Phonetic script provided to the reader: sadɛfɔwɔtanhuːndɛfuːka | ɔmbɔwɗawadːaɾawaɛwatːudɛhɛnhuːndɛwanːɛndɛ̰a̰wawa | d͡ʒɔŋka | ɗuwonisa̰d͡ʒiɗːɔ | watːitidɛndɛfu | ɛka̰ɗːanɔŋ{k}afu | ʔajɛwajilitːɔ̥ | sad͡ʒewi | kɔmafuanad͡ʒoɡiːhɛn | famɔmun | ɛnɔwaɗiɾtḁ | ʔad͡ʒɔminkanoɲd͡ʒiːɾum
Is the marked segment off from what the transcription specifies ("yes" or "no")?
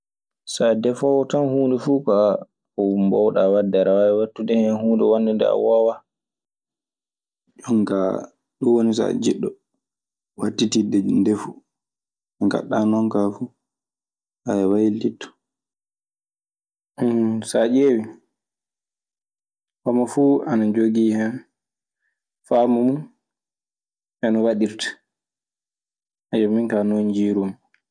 no